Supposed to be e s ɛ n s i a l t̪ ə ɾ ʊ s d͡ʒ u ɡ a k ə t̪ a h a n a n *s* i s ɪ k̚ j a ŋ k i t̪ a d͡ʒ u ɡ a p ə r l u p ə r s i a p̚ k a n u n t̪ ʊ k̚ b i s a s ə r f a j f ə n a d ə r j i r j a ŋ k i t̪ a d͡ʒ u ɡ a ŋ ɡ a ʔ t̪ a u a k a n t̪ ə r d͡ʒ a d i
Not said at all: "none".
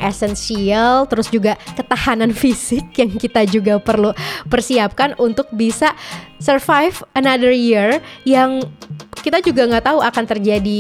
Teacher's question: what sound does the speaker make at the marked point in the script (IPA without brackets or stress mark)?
f